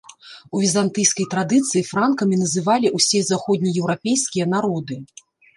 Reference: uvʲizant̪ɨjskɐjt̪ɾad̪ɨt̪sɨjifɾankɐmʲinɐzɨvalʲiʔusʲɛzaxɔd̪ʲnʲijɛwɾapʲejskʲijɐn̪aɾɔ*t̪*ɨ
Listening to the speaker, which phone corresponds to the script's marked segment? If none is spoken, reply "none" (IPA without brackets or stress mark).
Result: d̪